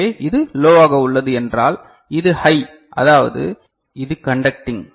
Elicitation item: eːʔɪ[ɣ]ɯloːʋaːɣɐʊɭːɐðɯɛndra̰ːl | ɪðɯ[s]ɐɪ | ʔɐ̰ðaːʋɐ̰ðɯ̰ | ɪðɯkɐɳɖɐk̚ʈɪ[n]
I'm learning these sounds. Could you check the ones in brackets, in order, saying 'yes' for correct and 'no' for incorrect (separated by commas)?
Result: no, no, no